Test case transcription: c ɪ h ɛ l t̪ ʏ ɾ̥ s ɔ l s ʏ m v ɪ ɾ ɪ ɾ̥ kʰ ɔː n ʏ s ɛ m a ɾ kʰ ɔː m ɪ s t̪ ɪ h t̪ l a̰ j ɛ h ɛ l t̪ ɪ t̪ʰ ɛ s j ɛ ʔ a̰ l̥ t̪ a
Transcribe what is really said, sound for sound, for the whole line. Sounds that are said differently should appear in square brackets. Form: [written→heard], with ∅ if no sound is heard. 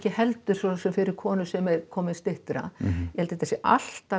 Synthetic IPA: c ɪ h ɛ l t̪ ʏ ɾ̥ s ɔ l s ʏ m [v→f] ɪ ɾ ɪ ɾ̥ kʰ ɔː n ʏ s ɛ m [a→ɛ] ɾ kʰ ɔː m ɪ s t̪ ɪ h t̪ [l→ɾ] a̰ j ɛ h ɛ l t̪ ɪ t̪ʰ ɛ s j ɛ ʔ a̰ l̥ t̪ a